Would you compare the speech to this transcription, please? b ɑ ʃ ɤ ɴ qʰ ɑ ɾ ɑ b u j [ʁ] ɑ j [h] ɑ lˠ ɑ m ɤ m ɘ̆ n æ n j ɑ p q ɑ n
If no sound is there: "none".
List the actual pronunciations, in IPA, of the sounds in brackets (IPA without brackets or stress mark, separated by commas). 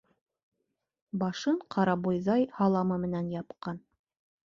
ð, h